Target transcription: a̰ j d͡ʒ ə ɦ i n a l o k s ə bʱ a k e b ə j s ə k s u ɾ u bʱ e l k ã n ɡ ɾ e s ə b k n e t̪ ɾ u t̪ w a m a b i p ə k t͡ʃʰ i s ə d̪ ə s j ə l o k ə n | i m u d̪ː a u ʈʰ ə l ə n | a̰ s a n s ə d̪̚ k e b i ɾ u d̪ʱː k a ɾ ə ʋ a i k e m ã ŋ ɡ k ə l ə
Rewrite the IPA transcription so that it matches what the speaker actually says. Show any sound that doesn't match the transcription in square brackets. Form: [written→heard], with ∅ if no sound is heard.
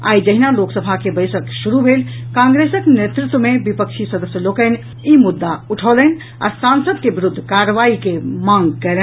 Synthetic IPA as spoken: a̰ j d͡ʒ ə ɦ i n a l o k s ə bʱ a k e b ə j s ə k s u ɾ u bʱ e l k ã [n→ŋ] ɡ ɾ e s ə [b→∅] k n e t̪ ɾ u t̪ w [a→ə] m [a→e] b i p ə k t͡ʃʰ i s ə d̪ ə s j ə l o k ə n | i m u d̪ː a u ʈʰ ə l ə n | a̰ s a n s ə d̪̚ k e b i ɾ u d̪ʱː k a ɾ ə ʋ a i k e m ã ŋ ɡ k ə l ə